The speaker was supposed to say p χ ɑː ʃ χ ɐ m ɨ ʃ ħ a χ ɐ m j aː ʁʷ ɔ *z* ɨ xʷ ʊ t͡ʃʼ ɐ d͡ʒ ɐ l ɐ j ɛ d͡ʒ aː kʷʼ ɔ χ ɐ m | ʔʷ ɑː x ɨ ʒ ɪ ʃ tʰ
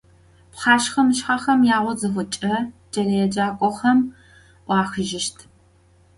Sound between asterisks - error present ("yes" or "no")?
no